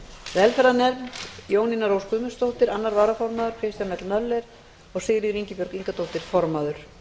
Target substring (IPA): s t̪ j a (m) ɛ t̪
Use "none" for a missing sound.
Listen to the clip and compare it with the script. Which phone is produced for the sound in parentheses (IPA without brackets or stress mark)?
m